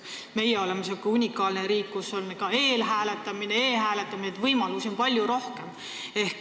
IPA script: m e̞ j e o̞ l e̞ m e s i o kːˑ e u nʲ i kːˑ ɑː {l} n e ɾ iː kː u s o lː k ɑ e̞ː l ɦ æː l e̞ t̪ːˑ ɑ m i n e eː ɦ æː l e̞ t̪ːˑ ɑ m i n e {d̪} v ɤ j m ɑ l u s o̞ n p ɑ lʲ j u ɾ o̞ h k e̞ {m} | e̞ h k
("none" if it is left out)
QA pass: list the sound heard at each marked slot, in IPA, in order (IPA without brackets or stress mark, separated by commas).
l, t̪, m